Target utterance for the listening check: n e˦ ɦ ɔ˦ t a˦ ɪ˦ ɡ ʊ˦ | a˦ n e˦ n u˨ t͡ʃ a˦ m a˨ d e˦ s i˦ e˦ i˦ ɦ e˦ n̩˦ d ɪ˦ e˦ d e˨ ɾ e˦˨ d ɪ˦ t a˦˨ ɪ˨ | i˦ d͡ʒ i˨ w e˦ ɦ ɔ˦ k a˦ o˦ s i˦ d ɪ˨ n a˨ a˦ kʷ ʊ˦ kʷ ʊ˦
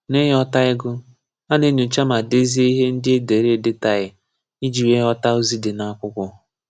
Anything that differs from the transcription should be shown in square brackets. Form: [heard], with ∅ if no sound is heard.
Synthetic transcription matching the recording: n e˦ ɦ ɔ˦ t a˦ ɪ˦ ɡ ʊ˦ | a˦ n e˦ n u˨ t͡ʃ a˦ m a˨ d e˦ [z] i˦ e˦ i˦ ɦ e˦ n̩˦ d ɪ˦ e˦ d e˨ ɾ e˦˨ d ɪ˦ t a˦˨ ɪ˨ | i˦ d͡ʒ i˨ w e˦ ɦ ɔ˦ [t] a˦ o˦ [z] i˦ d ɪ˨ n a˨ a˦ kʷ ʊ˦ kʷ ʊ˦